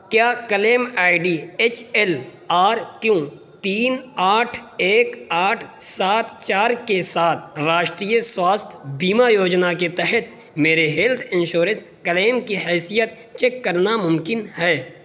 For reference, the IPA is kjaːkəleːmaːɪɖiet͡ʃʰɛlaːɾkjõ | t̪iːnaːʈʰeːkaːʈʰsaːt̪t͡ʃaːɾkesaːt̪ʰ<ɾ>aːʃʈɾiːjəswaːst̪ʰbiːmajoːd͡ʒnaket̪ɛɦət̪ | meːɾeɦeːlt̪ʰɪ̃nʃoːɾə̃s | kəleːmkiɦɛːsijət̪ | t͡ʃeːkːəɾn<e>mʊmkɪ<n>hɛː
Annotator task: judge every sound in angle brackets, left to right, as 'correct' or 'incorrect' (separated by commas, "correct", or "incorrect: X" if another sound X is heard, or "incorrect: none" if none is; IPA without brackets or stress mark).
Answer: correct, incorrect: a, correct